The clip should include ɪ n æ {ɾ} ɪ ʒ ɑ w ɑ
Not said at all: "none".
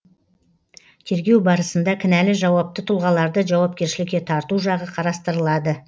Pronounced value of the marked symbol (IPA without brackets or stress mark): l